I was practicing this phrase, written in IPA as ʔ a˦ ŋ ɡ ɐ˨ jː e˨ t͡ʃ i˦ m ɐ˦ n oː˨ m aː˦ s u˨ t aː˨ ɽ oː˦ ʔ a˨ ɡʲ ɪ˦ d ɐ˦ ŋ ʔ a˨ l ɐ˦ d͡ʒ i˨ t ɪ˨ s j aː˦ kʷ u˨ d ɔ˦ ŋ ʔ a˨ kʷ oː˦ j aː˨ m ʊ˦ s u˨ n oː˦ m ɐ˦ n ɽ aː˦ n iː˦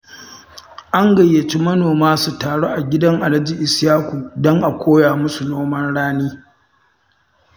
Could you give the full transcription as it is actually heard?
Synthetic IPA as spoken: ʔ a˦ ŋ ɡ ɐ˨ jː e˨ t͡ʃ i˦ m ɐ˦ n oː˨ m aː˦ s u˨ t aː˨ ɽ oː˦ ʔ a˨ ɡʲ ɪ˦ d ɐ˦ ŋ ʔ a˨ l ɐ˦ d͡ʒ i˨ ʔ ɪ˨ s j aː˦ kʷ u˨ d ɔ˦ ŋ ʔ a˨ kʷ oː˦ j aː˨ m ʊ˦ s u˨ n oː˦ m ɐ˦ n ɽ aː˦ n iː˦